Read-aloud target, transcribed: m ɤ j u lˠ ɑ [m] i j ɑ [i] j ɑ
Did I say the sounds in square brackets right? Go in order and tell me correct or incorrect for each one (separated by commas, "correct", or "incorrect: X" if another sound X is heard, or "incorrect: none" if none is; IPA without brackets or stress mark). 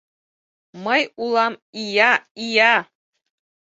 correct, correct